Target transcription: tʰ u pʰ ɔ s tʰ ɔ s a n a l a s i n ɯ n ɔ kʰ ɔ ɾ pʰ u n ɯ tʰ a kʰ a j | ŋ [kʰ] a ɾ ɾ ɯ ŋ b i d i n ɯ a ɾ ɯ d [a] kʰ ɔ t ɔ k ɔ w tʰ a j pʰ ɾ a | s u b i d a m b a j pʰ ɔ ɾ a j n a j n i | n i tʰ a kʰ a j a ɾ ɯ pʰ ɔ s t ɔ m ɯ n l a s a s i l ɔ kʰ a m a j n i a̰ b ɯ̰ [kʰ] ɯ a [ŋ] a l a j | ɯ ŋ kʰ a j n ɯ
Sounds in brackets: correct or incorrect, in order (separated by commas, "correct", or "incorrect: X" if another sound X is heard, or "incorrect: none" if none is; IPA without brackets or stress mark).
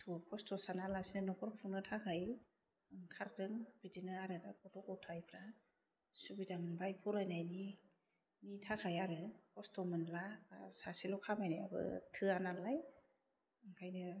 correct, correct, incorrect: tʰ, incorrect: n